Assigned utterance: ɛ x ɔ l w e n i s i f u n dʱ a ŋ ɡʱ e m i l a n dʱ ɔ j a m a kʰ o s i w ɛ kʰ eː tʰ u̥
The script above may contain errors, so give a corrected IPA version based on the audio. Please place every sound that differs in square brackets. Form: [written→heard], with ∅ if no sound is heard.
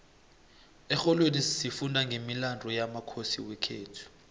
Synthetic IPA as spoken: ɛ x ɔ l w e n i s i f u n dʱ a ŋ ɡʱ e m i l a n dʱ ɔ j a m a kʰ o s i w ɛ kʰ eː tʰ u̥

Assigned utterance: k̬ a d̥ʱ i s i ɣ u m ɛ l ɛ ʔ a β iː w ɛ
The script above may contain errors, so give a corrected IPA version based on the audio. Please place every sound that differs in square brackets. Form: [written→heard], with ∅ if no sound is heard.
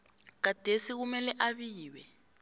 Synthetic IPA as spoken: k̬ a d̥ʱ [i→e] s i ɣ u m ɛ l ɛ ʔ a β iː w ɛ

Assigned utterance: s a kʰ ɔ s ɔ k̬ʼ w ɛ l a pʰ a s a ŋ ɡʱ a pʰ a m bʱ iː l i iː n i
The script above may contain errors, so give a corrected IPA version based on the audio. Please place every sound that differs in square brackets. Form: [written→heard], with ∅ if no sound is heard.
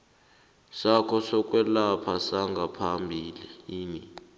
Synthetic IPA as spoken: s a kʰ ɔ s ɔ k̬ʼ w ɛ l a pʰ a s a ŋ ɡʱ a pʰ a m bʱ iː l i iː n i

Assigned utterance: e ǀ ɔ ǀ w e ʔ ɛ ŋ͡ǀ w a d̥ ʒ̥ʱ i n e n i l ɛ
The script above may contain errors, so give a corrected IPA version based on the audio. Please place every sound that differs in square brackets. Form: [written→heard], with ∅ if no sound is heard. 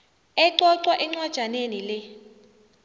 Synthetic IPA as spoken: [e→ɛ] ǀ ɔ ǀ w [e→a] ʔ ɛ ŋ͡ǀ w a d̥ ʒ̥ʱ [i→a] n e n i l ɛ

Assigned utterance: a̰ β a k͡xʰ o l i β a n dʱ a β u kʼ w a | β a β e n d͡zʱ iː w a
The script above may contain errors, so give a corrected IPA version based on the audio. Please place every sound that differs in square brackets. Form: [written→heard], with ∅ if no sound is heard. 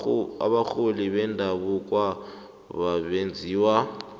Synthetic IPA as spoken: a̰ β a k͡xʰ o l i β [a→ɛ] n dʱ a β u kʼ w a | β a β e n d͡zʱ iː w a

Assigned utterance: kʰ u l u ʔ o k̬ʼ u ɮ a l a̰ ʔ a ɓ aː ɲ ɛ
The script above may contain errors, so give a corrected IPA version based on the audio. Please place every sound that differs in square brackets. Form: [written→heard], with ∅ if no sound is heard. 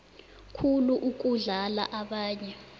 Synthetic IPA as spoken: kʰ u l u ʔ [o→u] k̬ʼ u ɮ a l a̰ ʔ a ɓ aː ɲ ɛ

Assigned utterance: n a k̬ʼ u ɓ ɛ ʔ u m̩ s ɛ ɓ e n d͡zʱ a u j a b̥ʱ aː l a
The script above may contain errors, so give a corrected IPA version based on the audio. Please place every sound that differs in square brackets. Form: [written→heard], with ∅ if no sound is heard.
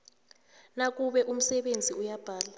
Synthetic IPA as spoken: n a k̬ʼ u ɓ ɛ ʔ u m̩ s ɛ ɓ e n d͡zʱ [a→i] u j a b̥ʱ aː l a

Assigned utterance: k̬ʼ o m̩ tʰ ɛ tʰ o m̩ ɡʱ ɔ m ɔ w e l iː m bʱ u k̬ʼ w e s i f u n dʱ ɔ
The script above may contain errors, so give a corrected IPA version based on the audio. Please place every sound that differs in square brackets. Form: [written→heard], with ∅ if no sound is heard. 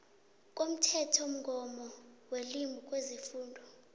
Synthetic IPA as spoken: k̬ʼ o m̩ tʰ ɛ tʰ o m̩ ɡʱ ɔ m ɔ w e l [iː→i] m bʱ u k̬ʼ w e [s→z] i f [u→uː] n dʱ ɔ

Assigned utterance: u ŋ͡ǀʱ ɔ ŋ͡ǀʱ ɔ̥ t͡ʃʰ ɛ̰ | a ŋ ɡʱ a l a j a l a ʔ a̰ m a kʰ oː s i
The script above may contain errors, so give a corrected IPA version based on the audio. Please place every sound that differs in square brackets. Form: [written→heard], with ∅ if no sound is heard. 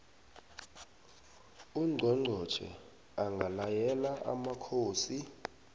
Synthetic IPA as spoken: u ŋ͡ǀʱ ɔ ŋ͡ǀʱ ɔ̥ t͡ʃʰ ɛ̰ | a ŋ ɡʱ a l a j [a→ɛ] l a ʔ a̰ m a kʰ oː s i

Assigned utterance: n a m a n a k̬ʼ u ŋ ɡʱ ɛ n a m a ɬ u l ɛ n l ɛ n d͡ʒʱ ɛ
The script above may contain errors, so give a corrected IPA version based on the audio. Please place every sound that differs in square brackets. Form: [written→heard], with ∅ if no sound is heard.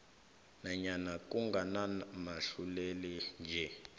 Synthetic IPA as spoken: n a [m→ɲ] a n a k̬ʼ u ŋ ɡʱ [ɛ→a] n a m a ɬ u l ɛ [n→∅] l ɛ n d͡ʒʱ ɛ

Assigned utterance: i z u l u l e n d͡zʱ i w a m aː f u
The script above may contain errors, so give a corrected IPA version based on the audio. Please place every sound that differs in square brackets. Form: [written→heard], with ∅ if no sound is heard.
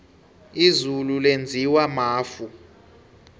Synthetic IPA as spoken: i z u l u l e n d͡zʱ i w a m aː f u

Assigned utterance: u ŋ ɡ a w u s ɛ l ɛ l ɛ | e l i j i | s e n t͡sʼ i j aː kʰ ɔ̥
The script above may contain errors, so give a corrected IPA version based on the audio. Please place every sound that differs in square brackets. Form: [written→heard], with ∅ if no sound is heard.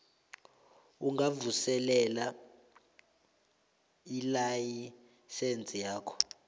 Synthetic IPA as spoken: u ŋ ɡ a [w→v] u s ɛ l ɛ l [ɛ→a] | [e→i] l [i→a] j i | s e n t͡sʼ i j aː kʰ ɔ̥

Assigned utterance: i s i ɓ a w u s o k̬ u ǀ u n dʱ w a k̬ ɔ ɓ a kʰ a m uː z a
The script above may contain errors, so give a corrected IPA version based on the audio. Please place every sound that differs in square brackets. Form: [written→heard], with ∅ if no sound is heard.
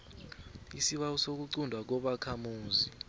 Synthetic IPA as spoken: i s i ɓ a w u s o k̬ u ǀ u n dʱ w a k̬ ɔ ɓ a kʰ a m uː z [a→i]

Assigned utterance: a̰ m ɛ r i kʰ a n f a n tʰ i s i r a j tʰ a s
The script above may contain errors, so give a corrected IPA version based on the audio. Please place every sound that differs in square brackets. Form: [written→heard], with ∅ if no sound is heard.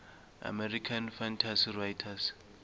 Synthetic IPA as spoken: a̰ m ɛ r i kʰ a n f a n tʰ [i→a] s i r a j tʰ a s

